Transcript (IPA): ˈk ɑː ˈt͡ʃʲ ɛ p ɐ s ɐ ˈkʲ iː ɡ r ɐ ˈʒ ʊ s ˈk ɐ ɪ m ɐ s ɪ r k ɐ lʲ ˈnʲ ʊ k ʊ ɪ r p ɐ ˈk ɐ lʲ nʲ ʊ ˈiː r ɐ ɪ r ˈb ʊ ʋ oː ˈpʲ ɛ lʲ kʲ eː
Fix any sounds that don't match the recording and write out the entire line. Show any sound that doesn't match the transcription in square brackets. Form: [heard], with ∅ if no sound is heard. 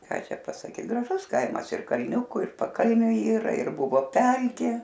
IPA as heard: ˈk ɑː ˈt͡ʃʲ ɛ p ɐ s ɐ ˈkʲ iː ɡ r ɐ ˈʒ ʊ s ˈk ɐ ɪ m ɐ s ɪ r k ɐ lʲ ˈnʲ ʊ k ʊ ɪ r p ɐ ˈk ɐ lʲ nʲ ʊ ˈiː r ɐ ɪ r ˈb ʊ ʋ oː ˈpʲ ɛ lʲ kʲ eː